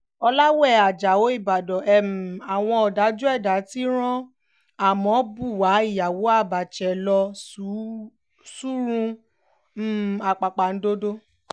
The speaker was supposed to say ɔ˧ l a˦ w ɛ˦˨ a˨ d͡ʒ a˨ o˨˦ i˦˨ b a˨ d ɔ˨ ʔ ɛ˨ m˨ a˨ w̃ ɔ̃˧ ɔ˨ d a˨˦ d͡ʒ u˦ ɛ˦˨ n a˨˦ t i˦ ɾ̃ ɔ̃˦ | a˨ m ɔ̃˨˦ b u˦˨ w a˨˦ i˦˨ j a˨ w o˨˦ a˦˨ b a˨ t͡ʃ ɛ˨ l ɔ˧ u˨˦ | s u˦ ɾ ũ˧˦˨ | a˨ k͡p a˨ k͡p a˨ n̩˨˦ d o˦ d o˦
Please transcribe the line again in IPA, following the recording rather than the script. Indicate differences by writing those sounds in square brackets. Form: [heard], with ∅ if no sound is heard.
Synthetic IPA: ɔ˧ l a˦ w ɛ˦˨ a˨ d͡ʒ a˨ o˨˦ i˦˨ b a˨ d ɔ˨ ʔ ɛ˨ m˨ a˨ w̃ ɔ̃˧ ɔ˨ d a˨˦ d͡ʒ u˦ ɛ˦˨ [d] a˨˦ t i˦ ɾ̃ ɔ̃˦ | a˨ m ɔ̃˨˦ b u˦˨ w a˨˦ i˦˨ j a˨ w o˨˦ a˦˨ b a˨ t͡ʃ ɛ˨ l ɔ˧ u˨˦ | s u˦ ɾ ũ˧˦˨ | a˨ k͡p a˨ k͡p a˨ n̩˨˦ d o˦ d o˦